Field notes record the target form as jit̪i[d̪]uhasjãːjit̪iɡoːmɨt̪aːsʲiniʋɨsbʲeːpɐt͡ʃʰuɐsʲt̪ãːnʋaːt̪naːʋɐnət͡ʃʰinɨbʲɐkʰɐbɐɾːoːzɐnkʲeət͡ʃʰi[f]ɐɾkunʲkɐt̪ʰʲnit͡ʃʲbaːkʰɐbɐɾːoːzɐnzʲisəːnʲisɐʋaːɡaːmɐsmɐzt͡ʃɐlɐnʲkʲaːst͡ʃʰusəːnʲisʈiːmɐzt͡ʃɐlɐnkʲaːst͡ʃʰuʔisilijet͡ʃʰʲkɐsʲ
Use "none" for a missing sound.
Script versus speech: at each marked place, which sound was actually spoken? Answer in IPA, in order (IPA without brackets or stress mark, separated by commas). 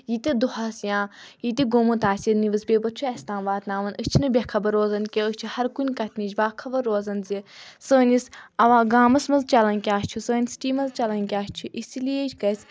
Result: d̪, h